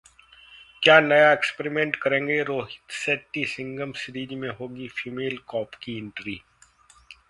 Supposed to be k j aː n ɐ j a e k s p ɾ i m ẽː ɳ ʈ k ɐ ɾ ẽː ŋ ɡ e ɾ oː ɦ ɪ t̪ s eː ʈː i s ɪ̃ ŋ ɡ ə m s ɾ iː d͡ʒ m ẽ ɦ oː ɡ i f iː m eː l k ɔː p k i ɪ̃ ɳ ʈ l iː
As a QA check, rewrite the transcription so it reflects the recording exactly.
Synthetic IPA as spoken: k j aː n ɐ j a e k s p ɾ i m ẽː ɳ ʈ k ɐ ɾ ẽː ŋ ɡ e ɾ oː ɦ ɪ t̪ s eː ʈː i s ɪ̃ ŋ ɡ ə m s ɾ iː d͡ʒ m ẽ ɦ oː ɡ i f iː m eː l k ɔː p k i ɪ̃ ɳ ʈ ɾ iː